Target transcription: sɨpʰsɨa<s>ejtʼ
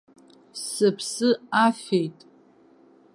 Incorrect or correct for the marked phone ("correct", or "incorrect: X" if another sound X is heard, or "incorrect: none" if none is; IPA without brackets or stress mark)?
incorrect: f